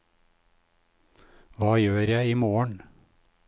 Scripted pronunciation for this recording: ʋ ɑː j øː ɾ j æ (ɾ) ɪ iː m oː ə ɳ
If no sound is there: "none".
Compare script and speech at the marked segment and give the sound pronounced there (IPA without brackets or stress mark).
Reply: none